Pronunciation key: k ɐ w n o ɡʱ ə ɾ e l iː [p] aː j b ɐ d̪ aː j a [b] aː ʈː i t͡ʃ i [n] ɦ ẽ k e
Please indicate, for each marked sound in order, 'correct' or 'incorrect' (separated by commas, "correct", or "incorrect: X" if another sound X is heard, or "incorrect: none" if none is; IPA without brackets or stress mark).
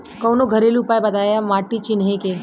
correct, incorrect: m, correct